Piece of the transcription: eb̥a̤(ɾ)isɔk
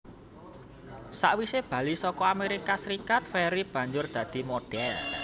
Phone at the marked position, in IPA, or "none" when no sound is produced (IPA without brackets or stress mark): l